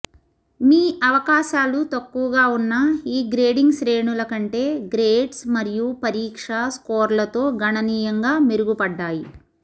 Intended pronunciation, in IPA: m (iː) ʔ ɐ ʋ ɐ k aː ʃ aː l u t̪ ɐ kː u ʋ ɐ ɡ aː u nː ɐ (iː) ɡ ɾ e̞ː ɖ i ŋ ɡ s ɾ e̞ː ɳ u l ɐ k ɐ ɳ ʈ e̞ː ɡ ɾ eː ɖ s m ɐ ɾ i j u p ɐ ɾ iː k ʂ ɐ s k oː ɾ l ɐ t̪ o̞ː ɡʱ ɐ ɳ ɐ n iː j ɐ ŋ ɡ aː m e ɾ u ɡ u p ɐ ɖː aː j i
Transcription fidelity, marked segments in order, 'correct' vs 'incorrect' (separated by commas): correct, correct